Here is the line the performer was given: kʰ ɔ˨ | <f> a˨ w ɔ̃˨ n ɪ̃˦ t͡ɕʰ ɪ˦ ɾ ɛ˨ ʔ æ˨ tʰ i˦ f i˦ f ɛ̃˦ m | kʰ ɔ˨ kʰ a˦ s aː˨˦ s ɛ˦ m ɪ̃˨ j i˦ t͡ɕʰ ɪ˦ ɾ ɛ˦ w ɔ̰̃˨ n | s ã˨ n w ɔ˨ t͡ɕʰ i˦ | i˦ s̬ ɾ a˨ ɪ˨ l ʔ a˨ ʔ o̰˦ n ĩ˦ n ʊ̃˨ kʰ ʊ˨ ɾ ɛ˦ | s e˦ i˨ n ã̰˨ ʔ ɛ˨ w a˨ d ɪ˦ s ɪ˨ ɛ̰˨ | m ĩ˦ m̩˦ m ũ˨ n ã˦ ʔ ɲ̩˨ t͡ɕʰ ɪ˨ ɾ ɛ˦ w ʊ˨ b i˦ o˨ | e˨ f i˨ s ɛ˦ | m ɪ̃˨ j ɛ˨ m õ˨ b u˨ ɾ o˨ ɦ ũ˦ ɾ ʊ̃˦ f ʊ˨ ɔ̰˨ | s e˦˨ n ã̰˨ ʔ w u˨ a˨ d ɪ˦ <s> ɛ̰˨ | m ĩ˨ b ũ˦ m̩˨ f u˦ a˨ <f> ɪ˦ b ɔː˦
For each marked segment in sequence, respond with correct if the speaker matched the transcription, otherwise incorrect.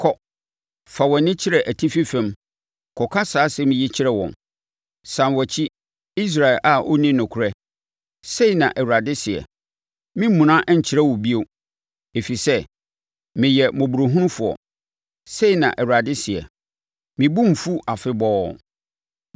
correct, correct, correct

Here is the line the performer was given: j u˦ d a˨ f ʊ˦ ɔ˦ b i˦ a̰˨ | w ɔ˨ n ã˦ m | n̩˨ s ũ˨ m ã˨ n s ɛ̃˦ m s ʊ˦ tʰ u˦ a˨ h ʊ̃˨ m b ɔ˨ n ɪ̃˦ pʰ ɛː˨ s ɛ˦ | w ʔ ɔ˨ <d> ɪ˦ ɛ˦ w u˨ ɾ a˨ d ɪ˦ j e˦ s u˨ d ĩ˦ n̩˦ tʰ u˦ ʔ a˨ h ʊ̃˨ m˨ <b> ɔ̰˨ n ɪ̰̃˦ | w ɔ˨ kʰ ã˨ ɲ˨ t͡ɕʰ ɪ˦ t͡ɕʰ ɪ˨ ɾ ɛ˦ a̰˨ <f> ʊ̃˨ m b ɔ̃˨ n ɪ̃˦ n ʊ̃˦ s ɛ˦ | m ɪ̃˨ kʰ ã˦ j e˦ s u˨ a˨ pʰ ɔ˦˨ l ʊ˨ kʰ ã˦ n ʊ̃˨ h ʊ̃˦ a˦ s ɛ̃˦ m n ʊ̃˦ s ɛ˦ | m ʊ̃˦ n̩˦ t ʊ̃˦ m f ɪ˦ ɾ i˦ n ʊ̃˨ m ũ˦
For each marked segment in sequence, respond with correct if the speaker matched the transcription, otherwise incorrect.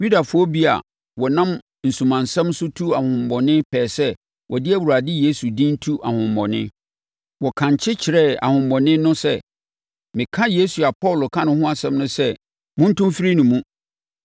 correct, correct, incorrect: h

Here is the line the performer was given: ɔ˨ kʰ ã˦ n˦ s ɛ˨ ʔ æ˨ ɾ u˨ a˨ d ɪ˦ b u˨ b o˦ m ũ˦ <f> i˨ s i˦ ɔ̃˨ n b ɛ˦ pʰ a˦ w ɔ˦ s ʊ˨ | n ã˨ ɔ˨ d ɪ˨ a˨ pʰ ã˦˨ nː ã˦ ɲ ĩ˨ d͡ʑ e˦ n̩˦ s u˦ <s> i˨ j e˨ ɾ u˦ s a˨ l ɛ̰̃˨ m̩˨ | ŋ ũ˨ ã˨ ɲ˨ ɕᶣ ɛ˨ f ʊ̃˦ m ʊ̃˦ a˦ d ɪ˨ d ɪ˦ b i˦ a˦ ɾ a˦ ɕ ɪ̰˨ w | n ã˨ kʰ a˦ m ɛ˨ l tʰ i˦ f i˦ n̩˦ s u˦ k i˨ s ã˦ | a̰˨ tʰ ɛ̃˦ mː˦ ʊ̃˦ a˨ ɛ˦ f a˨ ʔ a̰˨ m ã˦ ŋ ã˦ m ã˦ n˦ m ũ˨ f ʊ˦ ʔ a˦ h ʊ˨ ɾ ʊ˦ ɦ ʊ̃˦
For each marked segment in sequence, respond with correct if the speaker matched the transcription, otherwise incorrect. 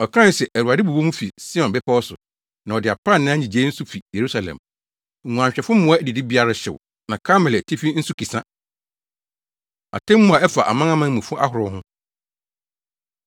correct, incorrect: f

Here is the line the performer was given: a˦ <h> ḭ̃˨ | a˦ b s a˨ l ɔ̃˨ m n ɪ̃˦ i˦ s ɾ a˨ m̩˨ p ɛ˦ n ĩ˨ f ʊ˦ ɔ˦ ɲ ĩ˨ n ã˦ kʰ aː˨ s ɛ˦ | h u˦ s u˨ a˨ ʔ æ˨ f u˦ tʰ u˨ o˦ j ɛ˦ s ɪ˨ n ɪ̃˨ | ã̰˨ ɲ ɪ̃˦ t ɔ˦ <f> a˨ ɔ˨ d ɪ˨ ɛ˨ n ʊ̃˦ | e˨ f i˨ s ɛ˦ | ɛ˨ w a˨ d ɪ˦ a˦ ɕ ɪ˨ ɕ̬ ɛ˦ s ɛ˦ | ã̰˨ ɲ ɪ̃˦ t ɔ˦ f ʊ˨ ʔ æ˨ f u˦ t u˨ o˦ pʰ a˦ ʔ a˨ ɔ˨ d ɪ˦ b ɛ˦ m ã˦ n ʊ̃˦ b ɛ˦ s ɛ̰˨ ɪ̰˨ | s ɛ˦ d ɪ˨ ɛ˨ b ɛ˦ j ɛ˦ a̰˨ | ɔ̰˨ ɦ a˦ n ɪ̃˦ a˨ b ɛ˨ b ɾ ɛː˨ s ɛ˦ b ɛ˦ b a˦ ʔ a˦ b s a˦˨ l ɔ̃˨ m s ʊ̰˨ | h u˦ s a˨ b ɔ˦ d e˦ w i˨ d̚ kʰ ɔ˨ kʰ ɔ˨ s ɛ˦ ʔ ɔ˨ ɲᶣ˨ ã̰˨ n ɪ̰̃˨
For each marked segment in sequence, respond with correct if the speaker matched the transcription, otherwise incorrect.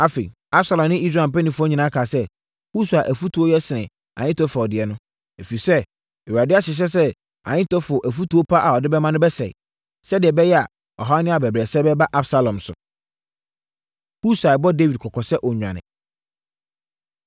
incorrect: f, correct

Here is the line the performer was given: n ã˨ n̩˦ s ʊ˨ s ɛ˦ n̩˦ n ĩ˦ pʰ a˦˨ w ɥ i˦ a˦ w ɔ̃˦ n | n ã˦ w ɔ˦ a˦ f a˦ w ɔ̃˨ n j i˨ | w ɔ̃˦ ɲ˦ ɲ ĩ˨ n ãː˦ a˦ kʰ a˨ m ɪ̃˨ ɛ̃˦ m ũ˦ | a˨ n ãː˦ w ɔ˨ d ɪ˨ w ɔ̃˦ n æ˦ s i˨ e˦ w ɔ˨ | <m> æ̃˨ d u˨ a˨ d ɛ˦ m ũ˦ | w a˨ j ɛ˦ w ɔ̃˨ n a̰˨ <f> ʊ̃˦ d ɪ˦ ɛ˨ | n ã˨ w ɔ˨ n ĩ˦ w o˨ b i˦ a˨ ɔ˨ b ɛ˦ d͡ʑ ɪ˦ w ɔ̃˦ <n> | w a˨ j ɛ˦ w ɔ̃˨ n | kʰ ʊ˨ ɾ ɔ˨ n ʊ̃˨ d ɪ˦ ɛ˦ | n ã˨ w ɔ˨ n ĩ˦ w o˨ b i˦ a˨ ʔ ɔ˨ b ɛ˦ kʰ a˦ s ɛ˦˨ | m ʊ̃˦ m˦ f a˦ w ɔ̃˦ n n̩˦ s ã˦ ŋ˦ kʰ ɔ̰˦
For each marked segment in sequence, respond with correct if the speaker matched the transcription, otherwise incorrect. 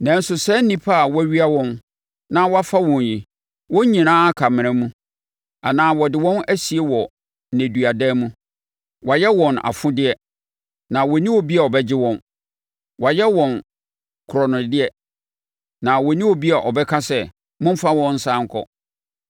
incorrect: n, correct, correct

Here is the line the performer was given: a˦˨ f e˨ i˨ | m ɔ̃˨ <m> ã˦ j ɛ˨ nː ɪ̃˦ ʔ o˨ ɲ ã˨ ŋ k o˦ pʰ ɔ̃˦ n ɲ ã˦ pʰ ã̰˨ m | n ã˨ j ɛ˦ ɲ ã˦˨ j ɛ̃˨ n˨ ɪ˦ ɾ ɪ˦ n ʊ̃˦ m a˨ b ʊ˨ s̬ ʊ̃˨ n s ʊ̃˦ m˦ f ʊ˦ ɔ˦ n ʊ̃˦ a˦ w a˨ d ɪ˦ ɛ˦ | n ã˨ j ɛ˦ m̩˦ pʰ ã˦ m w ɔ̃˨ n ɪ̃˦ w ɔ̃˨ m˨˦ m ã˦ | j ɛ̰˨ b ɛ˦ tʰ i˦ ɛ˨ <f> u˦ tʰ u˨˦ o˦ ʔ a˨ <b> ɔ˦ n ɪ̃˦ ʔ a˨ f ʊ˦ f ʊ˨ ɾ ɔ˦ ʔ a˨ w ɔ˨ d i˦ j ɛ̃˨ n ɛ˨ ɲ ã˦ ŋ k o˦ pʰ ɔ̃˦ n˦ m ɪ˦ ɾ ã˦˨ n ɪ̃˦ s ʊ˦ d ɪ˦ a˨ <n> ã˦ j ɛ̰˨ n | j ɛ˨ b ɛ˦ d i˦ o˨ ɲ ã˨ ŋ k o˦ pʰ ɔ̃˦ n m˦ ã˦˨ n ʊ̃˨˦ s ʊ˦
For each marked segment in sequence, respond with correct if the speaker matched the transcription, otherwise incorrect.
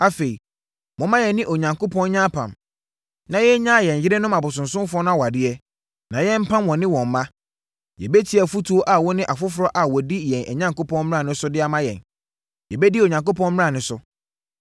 correct, correct, incorrect: w, incorrect: m

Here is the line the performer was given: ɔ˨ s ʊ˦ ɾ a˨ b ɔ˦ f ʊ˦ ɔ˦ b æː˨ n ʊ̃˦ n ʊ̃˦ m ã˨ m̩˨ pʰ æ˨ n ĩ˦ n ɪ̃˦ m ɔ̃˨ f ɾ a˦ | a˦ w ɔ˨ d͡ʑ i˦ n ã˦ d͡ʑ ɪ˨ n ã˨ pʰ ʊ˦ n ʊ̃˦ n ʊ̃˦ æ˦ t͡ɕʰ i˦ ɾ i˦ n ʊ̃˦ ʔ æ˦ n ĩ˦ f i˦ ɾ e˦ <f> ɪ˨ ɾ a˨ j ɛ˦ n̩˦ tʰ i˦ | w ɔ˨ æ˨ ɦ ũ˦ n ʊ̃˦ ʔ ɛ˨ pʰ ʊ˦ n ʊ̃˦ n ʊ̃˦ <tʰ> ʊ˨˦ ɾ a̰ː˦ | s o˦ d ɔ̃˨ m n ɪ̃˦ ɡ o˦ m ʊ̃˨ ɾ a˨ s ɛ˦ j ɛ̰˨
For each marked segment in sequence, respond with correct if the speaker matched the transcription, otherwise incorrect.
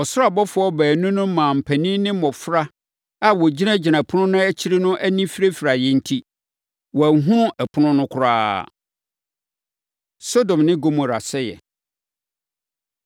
correct, incorrect: kʰ

